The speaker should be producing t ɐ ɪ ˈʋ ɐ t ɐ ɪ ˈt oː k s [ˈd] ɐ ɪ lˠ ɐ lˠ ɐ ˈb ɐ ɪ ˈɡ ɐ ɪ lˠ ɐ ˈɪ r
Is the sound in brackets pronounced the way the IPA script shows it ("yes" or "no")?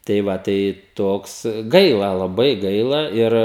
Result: no